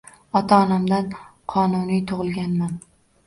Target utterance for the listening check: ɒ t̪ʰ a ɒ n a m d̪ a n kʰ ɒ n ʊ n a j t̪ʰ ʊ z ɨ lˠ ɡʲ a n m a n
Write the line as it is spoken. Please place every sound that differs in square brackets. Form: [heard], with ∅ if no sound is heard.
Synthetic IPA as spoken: ɒ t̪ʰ a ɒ n a m d̪ a n [qʰ] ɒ n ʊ n [i] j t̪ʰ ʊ [ʁ] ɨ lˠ ɡʲ a n m a n